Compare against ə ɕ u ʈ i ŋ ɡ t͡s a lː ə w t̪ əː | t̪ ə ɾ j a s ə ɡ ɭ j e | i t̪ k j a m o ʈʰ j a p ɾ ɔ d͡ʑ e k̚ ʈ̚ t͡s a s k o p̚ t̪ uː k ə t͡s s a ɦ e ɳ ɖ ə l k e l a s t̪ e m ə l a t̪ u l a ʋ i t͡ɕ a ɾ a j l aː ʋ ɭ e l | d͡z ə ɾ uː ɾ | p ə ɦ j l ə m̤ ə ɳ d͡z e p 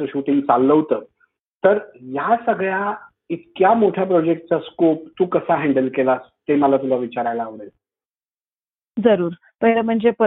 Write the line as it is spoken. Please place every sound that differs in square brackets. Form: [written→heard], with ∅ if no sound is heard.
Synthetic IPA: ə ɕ u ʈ i ŋ ɡ t͡s a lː ə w t̪ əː | t̪ ə ɾ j a s ə ɡ ɭ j [e→a] | i t̪ k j a m o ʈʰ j a p ɾ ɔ d͡ʑ e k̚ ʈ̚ t͡s a s k o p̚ t̪ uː k ə [t͡s→∅] s a ɦ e ɳ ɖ ə l k e l a s t̪ e m ə l a t̪ u l a ʋ i t͡ɕ a ɾ a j l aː ʋ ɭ e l | d͡z ə ɾ uː ɾ | p ə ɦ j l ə m̤ ə ɳ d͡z e p